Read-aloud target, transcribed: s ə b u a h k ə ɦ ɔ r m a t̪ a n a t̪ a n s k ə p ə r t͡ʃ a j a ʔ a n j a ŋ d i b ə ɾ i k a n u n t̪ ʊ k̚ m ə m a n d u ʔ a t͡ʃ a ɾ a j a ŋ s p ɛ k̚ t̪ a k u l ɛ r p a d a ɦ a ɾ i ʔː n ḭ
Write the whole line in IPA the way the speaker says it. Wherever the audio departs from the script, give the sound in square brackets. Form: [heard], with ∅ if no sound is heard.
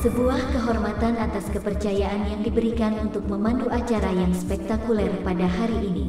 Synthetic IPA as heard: s ə b u a h k ə ɦ ɔ r m a t̪ a n a t̪ a [∅] s k ə p ə r t͡ʃ a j a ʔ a n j a ŋ d i b ə ɾ i k a n u n t̪ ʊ k̚ m ə m a n d u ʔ a t͡ʃ a ɾ a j a ŋ s p ɛ k̚ t̪ a k u l ɛ r p a d a ɦ a ɾ i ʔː n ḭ